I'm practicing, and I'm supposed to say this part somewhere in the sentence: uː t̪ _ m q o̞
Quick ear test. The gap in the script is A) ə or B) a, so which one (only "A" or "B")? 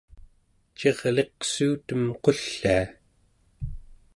A